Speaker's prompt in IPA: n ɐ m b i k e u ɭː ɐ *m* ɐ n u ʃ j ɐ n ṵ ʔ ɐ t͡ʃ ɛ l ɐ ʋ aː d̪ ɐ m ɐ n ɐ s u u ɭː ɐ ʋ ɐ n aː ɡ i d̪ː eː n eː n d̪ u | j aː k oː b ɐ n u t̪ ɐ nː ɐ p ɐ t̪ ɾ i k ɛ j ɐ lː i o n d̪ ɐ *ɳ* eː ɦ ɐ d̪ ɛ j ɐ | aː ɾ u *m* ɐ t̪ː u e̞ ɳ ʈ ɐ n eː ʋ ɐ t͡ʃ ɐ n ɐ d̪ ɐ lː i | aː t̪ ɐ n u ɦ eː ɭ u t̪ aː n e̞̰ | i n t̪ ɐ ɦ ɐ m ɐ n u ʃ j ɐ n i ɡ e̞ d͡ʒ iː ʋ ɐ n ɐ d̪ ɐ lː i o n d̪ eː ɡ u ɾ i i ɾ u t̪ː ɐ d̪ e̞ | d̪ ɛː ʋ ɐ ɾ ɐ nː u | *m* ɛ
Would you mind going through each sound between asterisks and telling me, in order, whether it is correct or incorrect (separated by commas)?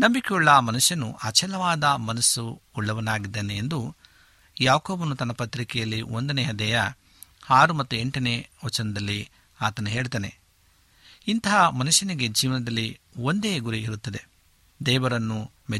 correct, incorrect, correct, correct